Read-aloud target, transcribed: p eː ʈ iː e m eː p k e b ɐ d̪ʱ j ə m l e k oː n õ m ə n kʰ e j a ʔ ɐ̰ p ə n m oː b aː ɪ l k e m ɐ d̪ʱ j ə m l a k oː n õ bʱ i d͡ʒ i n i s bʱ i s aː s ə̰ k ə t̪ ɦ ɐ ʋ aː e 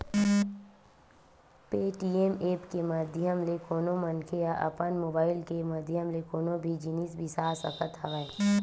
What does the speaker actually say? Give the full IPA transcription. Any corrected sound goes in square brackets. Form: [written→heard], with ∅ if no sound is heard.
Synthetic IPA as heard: p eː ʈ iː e m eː p k e [b→m] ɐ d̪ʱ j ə m l e k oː n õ m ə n kʰ e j a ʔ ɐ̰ p ə n m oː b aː ɪ l k e m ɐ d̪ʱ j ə m l [a→e] k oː n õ bʱ i d͡ʒ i n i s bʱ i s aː s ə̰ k ə t̪ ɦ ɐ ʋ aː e